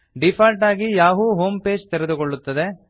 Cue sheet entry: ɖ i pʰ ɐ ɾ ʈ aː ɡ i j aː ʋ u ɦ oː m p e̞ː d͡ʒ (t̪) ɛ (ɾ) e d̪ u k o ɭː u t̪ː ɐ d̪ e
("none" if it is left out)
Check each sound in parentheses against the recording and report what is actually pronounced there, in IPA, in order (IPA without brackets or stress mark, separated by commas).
t̪, ɾ